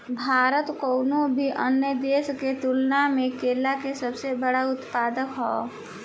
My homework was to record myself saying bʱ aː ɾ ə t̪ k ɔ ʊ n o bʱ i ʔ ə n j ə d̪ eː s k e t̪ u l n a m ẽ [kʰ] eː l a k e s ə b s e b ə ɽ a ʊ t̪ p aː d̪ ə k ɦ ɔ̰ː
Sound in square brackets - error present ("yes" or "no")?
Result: yes